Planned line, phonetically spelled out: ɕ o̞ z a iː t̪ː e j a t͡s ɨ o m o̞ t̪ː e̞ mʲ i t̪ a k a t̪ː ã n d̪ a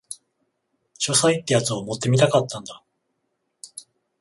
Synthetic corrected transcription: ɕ o̞ s a i t̪ː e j a t͡s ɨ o m o̞ t̪ː e̞ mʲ i t̪ a k a t̪ː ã n d̪ a